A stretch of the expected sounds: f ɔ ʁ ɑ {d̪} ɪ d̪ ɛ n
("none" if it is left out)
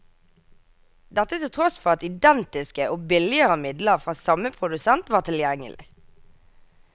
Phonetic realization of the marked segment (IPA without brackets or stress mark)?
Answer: t̪